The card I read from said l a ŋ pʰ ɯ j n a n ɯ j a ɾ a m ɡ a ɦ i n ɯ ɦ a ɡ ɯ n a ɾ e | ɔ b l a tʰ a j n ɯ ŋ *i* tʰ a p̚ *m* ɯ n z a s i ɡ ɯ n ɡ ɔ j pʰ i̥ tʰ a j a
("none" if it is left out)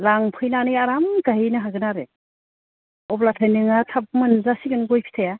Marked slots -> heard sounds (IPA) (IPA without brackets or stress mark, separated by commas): a, m